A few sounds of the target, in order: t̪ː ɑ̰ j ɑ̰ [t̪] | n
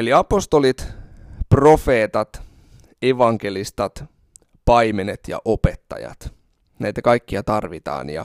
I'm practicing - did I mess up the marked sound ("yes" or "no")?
no